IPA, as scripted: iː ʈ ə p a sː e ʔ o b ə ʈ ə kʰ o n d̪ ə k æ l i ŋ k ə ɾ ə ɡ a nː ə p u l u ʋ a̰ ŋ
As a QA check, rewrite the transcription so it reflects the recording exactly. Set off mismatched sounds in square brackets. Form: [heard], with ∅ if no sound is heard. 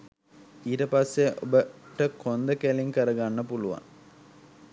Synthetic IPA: iː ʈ ə p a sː e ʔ o b ə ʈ ə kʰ o n d̪ ə k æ l i ŋ k ə ɾ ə ɡ a nː ə p u l u ʋ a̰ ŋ